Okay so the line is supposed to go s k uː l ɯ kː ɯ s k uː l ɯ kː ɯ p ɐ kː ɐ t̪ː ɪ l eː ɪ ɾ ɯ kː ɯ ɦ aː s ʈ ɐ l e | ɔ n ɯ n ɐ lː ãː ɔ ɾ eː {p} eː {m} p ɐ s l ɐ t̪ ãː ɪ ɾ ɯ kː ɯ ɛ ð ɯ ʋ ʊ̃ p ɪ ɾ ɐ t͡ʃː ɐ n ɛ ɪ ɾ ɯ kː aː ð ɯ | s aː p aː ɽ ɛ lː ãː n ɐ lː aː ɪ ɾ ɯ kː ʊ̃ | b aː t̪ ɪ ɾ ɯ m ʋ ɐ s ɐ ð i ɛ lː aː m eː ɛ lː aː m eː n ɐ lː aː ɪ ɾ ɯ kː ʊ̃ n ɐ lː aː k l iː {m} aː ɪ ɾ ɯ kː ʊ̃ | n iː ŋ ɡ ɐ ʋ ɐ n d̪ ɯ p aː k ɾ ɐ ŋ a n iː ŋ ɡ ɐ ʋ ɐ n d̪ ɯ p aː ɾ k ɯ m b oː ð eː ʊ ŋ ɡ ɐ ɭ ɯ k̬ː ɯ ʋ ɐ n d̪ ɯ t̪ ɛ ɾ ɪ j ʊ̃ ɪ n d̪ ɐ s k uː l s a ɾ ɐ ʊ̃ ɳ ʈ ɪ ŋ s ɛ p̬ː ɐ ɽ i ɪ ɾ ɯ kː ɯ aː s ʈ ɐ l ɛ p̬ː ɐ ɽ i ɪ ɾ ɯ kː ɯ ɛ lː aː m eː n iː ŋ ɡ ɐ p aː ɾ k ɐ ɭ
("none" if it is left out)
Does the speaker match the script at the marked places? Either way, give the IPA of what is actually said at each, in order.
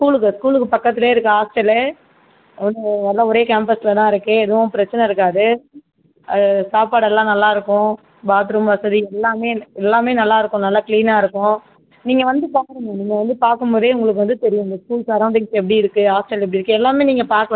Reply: k, m, n

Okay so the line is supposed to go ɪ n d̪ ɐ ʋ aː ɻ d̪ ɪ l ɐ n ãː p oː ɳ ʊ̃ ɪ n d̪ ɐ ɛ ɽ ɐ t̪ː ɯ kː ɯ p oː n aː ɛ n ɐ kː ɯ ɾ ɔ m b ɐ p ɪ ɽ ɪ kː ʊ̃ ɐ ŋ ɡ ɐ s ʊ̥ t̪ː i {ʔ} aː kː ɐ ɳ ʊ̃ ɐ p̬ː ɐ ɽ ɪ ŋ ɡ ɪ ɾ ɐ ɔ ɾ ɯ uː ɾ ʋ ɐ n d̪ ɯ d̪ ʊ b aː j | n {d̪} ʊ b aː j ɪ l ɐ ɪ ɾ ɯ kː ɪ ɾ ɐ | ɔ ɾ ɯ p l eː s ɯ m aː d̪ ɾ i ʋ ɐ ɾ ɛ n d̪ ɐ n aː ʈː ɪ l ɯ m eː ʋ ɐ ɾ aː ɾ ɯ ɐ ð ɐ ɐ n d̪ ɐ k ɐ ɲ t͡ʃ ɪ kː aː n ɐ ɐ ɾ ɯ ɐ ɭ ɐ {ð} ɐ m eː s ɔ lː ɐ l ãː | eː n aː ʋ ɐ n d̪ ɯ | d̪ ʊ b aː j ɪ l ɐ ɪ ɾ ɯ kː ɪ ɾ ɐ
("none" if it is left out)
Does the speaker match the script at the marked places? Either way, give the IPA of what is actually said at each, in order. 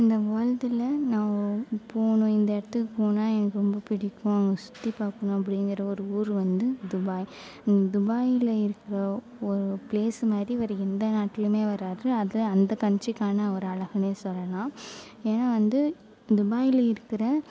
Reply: p, d̪, ɣ

